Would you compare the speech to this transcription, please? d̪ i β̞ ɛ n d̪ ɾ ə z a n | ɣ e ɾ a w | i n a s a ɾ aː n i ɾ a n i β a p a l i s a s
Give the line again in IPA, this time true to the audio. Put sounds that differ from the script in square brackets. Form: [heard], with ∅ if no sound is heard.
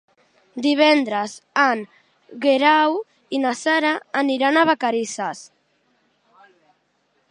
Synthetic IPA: d̪ i β̞ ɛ n d̪ ɾ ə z a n | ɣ e ɾ a w | i n a s a ɾ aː n i ɾ a n [a] β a [k] a [ɾ] i s a s